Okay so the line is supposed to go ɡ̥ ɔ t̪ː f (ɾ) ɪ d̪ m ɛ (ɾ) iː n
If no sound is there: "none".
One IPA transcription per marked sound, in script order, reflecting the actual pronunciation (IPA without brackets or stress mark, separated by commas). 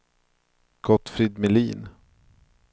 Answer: ɾ, l